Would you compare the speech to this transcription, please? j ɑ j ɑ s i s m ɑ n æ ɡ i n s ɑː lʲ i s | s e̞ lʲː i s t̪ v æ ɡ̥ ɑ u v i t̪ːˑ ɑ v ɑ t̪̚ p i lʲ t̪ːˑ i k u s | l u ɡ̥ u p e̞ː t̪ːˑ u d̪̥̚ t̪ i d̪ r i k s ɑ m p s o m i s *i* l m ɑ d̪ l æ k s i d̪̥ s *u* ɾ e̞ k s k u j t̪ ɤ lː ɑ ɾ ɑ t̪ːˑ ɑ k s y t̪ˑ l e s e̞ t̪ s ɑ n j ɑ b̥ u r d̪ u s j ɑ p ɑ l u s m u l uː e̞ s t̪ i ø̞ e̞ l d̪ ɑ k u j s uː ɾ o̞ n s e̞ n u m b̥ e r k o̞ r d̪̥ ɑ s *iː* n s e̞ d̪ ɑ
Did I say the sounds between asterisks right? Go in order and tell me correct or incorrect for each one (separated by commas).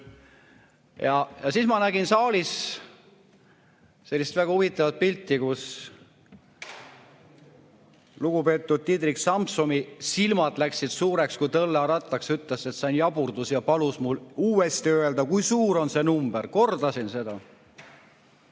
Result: correct, incorrect, incorrect